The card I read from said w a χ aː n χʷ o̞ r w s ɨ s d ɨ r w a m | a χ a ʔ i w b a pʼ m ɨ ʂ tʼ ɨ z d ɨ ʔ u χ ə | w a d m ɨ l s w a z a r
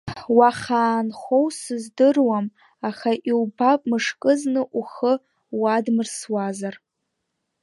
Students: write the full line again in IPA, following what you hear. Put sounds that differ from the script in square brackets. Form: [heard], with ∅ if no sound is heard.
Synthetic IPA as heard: w a χ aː n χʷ o̞ [∅] w s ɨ [z] d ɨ r w a m | a χ a ʔ i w b a pʼ m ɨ ʂ [kʼ] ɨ z [n] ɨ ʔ u χ ə | w a d m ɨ [r] s w a z a r